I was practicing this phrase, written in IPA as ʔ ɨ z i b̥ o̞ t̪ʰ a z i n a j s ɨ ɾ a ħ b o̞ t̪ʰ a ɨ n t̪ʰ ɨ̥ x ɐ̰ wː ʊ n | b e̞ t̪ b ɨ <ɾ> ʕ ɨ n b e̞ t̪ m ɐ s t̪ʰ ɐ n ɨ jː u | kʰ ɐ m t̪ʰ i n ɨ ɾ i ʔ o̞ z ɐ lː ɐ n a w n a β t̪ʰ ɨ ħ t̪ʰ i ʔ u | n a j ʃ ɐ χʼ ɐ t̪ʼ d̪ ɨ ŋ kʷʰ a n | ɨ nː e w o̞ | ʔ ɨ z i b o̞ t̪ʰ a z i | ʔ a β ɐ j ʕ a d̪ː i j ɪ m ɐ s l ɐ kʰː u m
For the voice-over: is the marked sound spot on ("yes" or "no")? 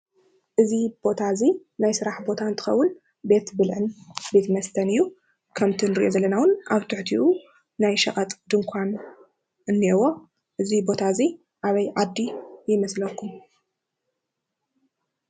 no